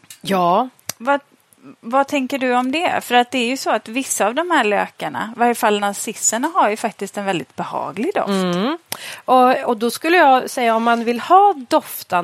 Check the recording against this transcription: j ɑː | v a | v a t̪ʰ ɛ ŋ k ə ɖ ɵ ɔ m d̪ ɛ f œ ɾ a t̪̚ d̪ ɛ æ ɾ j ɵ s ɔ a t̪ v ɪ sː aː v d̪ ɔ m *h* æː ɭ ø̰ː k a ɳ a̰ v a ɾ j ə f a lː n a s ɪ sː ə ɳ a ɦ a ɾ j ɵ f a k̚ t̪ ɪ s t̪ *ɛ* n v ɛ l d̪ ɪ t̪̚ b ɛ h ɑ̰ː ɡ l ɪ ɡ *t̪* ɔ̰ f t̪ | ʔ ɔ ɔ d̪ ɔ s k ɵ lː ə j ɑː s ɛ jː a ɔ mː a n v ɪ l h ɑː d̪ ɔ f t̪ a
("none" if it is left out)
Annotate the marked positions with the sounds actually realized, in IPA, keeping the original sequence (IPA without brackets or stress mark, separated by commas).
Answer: h, ɛ, d̪